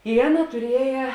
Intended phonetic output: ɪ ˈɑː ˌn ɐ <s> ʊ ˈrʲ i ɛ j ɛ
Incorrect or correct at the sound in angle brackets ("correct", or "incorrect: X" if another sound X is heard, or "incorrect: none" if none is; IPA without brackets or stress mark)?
incorrect: t